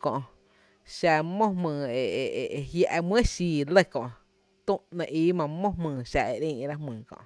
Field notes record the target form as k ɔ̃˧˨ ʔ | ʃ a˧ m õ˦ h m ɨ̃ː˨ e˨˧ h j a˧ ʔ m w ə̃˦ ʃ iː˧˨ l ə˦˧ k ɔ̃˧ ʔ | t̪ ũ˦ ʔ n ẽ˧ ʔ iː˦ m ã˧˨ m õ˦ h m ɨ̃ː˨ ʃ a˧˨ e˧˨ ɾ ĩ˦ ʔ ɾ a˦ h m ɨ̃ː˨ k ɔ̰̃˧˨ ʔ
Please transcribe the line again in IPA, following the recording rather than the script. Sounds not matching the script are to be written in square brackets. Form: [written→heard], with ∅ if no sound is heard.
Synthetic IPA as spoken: k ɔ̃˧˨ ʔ | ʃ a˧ m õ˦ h m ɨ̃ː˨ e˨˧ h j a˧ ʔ m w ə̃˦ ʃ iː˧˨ l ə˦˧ k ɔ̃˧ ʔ | t̪ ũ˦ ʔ n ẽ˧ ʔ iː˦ m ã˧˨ m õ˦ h m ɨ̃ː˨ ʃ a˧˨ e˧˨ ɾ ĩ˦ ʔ ɾ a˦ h m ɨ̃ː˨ k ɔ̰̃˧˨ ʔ